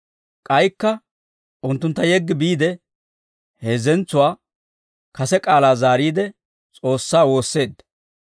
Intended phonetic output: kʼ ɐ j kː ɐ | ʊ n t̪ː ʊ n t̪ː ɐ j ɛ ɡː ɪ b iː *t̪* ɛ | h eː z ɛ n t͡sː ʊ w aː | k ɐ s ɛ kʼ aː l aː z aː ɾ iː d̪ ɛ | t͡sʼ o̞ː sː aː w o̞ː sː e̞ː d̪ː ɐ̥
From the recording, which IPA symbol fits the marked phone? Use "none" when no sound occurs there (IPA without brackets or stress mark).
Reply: d̪